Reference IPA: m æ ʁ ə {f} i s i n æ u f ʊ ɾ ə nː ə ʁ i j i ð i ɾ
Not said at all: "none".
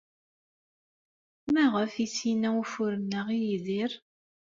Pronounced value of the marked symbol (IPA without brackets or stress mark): f